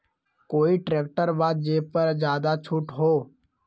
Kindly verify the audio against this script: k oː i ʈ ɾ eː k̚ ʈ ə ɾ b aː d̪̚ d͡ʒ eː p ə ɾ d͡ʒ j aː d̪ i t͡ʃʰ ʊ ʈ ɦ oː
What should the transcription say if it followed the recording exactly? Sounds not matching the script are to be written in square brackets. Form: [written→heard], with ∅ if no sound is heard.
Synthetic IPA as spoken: k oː i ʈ ɾ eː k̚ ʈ ə ɾ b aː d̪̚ d͡ʒ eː p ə ɾ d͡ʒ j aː d̪ [i→a] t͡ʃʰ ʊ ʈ ɦ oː